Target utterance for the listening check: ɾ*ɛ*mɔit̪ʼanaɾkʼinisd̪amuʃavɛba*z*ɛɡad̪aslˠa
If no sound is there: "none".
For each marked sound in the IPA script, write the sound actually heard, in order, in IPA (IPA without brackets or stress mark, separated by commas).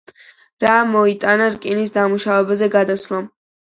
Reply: a, z